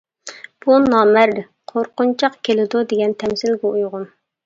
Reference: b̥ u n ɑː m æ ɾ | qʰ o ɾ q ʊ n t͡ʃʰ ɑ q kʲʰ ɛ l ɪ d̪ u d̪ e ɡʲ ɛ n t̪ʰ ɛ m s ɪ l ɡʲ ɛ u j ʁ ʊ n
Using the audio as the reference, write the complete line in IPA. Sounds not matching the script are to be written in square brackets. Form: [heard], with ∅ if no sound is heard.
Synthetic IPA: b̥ u n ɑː m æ ɾ | qʰ o ɾ q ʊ n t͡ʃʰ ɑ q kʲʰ [e] l ɪ d̪ u d̪ e ɡʲ ɛ n t̪ʰ ɛ m s ɪ l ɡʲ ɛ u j ʁ ʊ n